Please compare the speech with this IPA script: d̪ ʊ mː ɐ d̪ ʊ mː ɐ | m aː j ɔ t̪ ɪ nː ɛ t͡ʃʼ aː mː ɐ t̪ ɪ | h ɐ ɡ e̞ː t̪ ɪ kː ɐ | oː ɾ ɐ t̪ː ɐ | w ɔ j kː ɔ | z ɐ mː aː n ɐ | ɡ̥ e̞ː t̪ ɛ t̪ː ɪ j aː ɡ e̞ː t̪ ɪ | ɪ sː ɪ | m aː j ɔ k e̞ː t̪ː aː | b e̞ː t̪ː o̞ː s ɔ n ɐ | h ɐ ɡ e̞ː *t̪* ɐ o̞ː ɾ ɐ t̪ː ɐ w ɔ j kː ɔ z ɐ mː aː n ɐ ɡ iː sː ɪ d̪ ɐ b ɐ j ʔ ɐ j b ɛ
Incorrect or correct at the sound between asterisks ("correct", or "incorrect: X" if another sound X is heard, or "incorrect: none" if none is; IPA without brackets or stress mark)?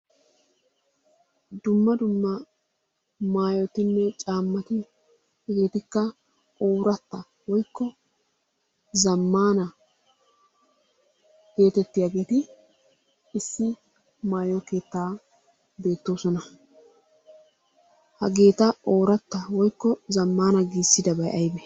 correct